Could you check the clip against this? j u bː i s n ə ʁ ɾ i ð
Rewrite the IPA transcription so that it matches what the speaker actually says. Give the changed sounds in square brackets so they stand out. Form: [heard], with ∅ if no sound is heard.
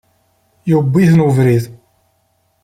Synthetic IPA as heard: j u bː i [θ] n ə [v] ɾ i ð